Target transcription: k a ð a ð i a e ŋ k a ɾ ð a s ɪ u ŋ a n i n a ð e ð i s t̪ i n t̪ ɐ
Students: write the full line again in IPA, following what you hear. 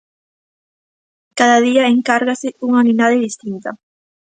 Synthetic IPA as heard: k a ð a ð i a e ŋ k a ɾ ɣ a s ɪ u ŋ a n i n a ð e ð i s t̪ i n t̪ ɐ

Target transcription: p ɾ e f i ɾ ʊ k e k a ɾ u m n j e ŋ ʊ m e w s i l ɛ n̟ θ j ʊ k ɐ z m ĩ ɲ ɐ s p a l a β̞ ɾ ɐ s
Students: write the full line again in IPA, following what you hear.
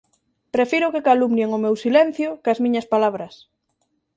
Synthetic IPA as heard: p ɾ e f i ɾ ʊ k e k a l u m n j e ŋ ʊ m e w s i l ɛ n̟ θ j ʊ k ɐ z m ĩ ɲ ɐ s p a l a β̞ ɾ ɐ s

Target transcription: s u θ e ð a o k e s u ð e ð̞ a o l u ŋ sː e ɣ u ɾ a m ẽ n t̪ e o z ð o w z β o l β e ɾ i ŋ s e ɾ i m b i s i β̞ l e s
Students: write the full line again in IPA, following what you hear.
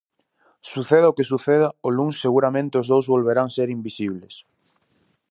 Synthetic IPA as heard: s u θ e ð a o k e s u θ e ð̞ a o l u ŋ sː e ɣ u ɾ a m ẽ n t̪ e o z ð o w z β o l β e ɾ a ŋ s e ɾ i m b i s i β̞ l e s

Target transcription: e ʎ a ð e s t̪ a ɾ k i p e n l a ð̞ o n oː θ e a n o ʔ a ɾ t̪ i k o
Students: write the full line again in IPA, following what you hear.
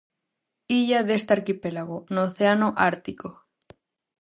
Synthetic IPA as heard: i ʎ a ð e s t̪ a ɾ k i p e l a ɣ̞ o n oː θ e a n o ʔ a ɾ t̪ i k o

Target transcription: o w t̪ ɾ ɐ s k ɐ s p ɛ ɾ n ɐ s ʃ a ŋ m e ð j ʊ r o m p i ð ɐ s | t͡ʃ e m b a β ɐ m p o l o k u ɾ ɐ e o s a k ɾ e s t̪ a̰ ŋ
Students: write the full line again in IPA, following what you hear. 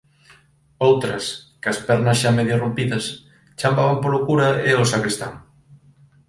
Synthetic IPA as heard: o w t̪ ɾ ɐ s k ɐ s p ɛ ɾ n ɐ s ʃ a m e ð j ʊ r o m p i ð ɐ s | t͡ʃ a m b a β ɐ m p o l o k u ɾ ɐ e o s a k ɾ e s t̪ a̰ ŋ

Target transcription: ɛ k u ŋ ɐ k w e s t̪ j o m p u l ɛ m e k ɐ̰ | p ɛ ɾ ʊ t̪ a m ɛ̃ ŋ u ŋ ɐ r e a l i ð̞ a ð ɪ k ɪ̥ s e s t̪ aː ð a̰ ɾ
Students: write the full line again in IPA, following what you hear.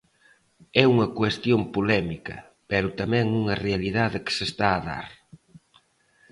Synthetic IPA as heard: ɛ u ŋ ɐ k w e s t̪ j o m p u l ɛ m i k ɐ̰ | p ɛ ɾ ʊ t̪ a m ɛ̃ ŋ u ŋ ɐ r e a l i ð̞ a ð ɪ k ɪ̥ s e s t̪ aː ð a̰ ɾ

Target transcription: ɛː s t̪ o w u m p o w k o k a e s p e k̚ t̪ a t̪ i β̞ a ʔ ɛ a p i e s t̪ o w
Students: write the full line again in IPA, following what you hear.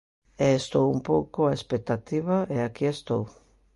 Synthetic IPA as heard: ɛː s t̪ o w u m p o w k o a e s p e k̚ t̪ a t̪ i β̞ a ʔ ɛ a k i e s t̪ o w

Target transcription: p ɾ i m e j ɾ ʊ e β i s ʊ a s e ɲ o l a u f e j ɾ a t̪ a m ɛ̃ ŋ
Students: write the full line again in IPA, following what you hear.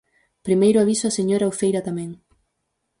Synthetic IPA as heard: p ɾ i m e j ɾ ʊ a β i s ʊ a s e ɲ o ɾ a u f e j ɾ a t̪ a m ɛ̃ ŋ

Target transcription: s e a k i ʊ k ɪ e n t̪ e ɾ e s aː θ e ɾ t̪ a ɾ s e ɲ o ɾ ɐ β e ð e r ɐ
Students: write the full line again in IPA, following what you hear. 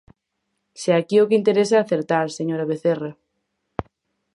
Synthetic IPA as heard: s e a k i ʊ k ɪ i n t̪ e ɾ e s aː θ e ɾ t̪ a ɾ s e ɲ o ɾ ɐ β e θ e r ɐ

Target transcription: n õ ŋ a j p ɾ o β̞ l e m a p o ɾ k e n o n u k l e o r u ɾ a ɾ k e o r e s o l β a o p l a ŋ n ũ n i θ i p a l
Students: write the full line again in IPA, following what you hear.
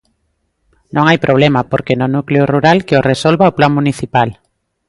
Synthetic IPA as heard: n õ ŋ a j p ɾ o β̞ l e m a p o ɾ k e n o n u k l e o r u ɾ a l k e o r e s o l β a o p l a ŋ m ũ n i θ i p a l

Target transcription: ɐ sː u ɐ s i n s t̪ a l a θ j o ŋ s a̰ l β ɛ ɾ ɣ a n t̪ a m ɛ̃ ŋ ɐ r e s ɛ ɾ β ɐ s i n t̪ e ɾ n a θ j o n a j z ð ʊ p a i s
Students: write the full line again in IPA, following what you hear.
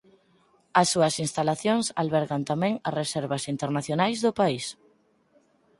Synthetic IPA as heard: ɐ sː u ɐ s i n s t̪ a l a θ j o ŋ s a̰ l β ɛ ɾ ɣ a n t̪ a m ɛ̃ ŋ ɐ r e s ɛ ɾ β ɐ s i n t̪ e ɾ n a θ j o n a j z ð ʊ p a i s

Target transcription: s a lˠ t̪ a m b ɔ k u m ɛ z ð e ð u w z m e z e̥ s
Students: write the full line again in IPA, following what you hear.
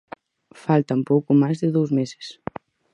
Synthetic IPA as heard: f a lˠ t̪ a m p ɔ k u m a z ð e ð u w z m e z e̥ s

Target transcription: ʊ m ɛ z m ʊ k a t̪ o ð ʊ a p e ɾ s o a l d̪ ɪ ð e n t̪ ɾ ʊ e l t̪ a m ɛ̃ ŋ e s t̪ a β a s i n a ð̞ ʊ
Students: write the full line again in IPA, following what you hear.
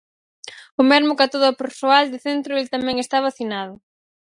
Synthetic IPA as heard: ʊ m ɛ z m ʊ k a t̪ o ð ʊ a p e ɾ s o a l d̪ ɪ θ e n t̪ ɾ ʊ e l t̪ a m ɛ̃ ŋ e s t̪ a β a θ i n a ð̞ ʊ

